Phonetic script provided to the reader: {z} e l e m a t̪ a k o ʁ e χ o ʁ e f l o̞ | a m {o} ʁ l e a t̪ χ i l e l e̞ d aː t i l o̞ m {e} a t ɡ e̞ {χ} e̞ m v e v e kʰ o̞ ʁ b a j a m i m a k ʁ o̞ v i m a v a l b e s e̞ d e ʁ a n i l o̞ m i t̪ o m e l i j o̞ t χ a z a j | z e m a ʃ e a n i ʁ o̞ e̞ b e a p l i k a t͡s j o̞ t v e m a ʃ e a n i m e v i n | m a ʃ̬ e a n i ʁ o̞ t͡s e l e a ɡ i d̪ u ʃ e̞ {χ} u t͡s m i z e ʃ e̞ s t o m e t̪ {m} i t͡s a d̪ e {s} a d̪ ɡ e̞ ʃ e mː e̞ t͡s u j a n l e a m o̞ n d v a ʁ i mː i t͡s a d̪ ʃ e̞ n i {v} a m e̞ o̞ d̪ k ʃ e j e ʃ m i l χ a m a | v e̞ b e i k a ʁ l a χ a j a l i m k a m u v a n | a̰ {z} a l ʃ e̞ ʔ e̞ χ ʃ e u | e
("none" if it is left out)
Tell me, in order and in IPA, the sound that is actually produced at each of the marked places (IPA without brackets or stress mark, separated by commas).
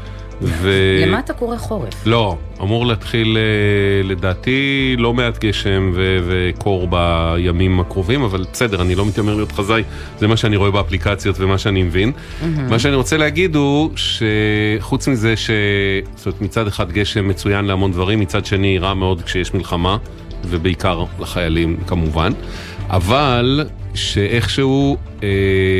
v, u, e, ʃ, χ, m, χ, ʁ, v